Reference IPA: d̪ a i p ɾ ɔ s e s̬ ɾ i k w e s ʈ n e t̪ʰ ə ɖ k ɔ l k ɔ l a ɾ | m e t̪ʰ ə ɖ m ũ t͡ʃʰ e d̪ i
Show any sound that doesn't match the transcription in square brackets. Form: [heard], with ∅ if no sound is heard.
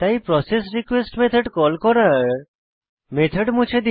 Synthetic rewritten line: [t̪] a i p ɾ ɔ s e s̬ ɾ i k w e s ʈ [m] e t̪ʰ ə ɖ k ɔ l k ɔ [ɾ] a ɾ | m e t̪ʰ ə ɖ m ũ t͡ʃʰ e d̪ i